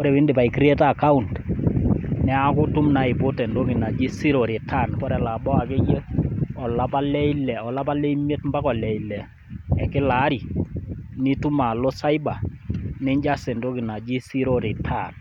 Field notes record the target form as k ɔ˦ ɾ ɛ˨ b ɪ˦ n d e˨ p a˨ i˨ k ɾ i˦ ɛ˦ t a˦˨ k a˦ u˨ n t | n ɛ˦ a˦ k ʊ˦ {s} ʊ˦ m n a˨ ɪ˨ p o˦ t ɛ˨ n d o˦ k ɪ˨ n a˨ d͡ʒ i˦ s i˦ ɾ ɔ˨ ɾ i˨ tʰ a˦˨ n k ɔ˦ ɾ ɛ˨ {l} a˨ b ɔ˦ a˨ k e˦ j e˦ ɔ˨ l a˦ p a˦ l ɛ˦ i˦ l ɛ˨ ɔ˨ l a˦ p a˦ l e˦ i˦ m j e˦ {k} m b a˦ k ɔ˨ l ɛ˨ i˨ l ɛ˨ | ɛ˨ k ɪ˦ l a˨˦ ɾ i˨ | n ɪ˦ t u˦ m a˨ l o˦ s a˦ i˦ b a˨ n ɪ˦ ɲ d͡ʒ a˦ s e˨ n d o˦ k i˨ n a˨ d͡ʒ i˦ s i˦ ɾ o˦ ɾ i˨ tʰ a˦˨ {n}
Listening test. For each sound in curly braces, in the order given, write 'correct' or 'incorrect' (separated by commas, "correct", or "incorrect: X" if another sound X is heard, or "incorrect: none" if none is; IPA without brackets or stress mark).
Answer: incorrect: t, correct, incorrect: t, correct